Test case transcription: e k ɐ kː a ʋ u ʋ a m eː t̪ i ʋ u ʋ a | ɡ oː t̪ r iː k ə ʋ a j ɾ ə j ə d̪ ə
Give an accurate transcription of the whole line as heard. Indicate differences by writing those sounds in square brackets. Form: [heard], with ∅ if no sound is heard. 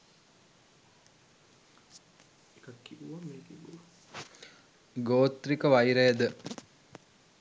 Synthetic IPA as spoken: e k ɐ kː [i] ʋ u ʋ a m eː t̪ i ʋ u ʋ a | ɡ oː t̪ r [i] k ə ʋ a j ɾ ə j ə d̪ ə